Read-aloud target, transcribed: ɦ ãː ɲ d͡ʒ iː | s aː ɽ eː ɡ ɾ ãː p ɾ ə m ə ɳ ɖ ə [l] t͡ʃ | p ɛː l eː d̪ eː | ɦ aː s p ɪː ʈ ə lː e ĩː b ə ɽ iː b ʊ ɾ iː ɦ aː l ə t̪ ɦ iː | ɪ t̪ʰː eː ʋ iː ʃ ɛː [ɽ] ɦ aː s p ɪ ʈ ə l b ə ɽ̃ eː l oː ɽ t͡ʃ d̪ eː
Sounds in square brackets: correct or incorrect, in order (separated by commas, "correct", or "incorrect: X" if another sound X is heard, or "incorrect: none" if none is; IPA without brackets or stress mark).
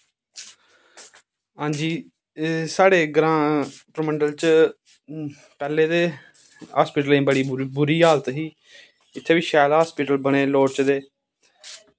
correct, incorrect: l